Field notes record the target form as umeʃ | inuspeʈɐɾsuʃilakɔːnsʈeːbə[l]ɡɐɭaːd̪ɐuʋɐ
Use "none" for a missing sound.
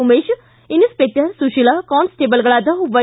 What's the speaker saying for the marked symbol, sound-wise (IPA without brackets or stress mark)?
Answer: l